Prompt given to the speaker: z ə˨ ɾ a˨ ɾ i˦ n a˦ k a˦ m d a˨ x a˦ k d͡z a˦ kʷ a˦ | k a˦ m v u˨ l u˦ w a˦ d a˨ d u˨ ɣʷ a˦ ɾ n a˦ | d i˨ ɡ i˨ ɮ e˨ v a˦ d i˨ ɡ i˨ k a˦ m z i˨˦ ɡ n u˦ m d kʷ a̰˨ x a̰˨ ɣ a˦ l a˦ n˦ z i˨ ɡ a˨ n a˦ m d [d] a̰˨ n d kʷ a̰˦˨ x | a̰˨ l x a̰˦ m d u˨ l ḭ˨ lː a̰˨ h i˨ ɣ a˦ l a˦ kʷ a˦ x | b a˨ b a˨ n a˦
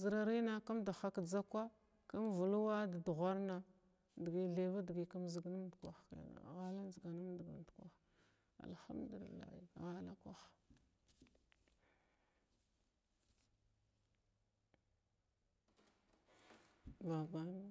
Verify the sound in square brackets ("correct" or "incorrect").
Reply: incorrect